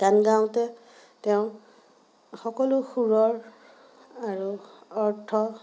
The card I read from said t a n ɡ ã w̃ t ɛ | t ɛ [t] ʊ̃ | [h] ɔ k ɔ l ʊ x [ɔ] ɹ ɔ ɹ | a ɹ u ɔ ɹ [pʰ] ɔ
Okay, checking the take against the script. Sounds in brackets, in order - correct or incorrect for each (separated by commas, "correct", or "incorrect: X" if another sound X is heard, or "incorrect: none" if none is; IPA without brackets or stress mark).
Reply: incorrect: none, incorrect: x, incorrect: u, incorrect: tʰ